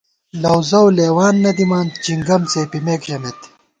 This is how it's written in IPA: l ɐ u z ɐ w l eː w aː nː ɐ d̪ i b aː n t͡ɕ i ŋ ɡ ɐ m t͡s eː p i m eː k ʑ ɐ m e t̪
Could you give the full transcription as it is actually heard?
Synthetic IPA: l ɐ w z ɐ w l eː w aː nː ɐ d̪ i m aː n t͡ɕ i ŋ ɡ ɐ m t͡s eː p i m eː k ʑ ɐ m e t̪